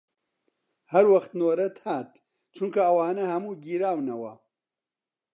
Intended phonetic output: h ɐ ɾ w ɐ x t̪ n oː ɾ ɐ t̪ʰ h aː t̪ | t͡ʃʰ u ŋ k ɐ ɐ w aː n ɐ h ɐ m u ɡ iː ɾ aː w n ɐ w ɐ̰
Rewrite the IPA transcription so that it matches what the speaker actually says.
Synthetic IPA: h ɐ ɾ w ɐ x t̪ n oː ɾ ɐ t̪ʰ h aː t̪ | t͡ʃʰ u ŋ k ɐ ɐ w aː n ɐ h ɐ m uː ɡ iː ɾ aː w n ɐ w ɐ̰